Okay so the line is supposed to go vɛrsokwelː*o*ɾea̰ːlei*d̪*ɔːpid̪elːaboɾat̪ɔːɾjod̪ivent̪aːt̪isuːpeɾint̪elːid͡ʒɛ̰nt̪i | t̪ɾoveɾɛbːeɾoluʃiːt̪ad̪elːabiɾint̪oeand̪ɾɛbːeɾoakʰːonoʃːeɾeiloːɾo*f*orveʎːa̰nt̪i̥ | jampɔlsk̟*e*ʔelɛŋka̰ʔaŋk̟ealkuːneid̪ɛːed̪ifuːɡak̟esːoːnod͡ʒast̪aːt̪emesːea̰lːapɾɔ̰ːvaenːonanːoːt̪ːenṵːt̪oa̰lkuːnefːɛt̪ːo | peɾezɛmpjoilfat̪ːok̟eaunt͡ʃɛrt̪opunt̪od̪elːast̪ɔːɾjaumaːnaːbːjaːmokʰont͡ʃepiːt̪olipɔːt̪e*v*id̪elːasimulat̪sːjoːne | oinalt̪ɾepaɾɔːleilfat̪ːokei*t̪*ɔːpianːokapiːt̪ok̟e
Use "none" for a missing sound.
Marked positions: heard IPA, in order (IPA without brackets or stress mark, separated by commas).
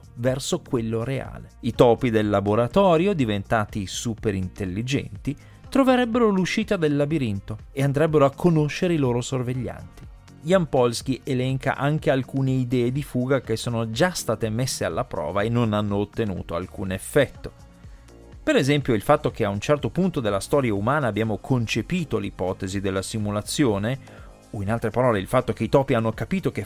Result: o, t̪, s, i, z, t̪